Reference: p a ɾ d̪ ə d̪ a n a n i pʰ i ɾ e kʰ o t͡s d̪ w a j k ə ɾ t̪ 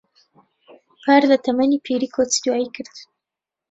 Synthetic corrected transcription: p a ɾ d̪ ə t̪ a m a n i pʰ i ɾ i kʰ o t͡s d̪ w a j k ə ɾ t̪